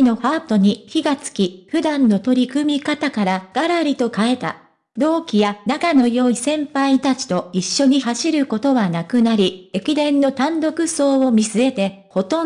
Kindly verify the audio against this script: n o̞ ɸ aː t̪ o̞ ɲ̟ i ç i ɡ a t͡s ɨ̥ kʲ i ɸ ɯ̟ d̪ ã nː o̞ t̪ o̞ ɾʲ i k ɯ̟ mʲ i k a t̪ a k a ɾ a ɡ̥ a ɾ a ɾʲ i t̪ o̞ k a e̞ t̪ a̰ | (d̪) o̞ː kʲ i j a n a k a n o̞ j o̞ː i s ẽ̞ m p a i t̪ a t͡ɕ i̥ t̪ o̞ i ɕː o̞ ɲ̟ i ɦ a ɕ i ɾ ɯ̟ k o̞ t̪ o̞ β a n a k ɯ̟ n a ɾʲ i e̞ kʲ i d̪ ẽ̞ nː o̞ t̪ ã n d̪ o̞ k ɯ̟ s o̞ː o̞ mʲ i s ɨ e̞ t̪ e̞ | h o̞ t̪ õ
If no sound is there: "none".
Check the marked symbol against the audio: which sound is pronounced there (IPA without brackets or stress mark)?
d̪